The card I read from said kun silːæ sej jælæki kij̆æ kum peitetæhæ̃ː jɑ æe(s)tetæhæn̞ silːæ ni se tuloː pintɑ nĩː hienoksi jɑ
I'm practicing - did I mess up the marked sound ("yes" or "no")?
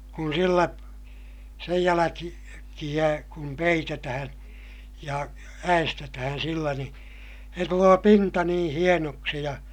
no